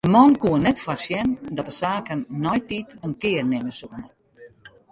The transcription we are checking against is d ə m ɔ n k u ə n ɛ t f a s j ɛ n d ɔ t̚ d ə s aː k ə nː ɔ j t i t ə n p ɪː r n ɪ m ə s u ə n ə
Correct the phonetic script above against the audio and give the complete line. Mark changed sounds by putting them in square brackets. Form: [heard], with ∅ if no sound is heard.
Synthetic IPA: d ə m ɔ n k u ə n ɛ t f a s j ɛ n d ɔ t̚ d ə s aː k ə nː ɔ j t i t ə n [k] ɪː r n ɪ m ə s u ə n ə

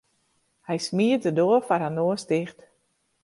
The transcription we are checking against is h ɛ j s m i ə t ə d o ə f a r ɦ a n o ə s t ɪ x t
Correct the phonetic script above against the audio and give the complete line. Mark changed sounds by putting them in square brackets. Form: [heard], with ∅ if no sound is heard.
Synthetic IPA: h ɛ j s m i ə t ə d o ə f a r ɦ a n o ə s t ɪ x t

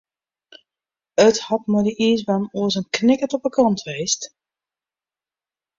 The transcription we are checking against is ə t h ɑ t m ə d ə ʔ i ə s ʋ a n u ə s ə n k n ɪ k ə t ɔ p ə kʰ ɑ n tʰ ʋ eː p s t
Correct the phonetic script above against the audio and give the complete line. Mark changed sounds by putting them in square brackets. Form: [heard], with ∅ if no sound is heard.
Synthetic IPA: ə t h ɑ t m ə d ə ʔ i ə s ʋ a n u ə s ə n k n ɪ k ə t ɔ p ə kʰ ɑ n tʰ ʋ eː [∅] s t

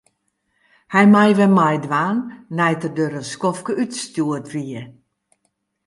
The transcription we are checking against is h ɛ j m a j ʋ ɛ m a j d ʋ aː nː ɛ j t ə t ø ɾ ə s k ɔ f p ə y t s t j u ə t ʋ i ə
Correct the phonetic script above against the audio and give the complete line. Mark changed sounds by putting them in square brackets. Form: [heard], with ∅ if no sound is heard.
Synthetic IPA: h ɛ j m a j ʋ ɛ m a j d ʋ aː nː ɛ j t ə [d] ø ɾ ə s k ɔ f [k] ə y t s t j u ə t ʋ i ə

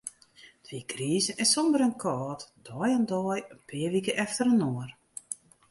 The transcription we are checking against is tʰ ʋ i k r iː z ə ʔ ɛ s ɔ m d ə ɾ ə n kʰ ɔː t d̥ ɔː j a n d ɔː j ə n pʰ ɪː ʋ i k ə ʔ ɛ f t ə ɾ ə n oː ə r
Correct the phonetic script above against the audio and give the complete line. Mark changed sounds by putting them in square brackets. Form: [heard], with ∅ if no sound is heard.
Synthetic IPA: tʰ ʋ i k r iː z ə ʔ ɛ s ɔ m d ə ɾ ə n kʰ ɔː t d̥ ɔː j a n d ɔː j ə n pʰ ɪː ʋ i k ə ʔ ɛ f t ə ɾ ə n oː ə r

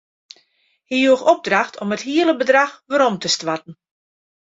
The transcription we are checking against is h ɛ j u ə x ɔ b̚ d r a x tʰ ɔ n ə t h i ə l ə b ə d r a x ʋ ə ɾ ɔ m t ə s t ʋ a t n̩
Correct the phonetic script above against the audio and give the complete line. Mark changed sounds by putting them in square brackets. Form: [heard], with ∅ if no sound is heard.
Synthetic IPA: h [i] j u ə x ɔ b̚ d r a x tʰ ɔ [m] ə t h i ə l ə b ə d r a x ʋ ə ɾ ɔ m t ə s t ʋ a t n̩

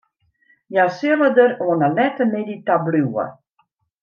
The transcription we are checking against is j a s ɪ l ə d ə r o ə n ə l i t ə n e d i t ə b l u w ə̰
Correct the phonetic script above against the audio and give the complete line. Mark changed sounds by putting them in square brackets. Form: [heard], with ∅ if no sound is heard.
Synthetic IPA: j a s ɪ l ə d ə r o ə n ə l [ɛ] t ə [m] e d i t [a] b l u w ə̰

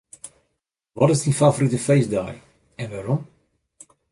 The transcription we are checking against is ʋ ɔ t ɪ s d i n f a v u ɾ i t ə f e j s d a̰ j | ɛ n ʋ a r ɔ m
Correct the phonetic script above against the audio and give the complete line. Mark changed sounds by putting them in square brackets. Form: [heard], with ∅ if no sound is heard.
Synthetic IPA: ʋ ɔ t ɪ s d i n f a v [o] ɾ i t ə f e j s d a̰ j | ɛ n ʋ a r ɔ m

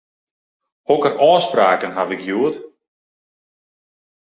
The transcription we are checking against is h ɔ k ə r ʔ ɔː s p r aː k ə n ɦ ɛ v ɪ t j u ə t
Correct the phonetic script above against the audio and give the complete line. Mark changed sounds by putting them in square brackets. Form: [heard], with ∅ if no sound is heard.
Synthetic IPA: h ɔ k ə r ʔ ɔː s p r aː k ə n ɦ [a] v ɪ [k] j u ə t

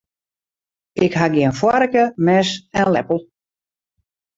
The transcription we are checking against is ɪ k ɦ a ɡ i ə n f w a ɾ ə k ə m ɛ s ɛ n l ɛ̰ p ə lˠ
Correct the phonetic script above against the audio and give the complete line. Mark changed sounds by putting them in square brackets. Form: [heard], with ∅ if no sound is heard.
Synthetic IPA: ɪ k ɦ a ɡ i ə n f w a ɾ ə k ə m ɛ s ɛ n l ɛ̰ p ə lˠ

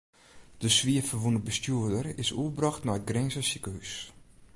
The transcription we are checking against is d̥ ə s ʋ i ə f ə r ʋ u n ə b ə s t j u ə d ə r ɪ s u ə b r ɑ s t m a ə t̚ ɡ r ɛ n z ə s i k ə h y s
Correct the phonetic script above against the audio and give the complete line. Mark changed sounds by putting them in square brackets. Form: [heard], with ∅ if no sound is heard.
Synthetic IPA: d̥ ə s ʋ i ə f ə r ʋ u n ə b ə s t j u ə d ə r ɪ s u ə b r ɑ [x] t [n] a ə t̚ ɡ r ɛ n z ə s i k ə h y s

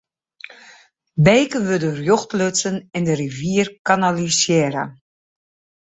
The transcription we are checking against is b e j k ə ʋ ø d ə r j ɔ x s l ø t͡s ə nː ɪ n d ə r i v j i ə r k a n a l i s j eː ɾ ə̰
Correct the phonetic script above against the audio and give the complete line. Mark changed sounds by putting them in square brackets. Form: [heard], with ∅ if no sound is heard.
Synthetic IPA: b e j k ə ʋ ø d ə r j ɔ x [t] l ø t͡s ə [n] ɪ n d ə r i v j i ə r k a n a l i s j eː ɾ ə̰

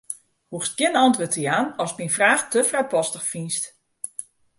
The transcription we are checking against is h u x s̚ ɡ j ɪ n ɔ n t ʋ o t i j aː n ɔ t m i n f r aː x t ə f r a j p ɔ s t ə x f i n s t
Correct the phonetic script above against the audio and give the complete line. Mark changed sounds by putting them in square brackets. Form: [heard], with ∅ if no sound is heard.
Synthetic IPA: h u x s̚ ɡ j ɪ n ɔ n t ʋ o t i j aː n ɔ [s] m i n f r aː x t ə f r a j p ɔ s t ə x f i n s t

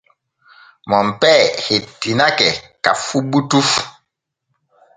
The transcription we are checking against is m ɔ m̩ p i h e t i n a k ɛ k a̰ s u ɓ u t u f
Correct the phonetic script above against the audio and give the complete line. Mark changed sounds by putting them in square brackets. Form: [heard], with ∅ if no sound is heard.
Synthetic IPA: m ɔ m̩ p [ɛ] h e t i n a k ɛ k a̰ [f] u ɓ u t u f

